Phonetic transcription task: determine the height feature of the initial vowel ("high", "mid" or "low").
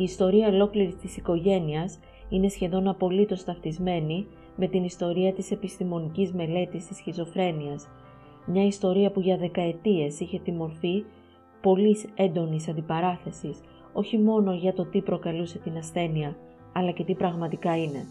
high